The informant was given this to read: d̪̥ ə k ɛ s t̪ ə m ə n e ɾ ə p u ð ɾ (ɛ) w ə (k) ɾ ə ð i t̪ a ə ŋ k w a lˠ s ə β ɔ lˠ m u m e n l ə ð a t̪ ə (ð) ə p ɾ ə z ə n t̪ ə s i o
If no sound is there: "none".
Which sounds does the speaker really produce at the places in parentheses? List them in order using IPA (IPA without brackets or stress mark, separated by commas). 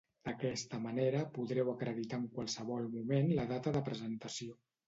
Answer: ɛ, k, ð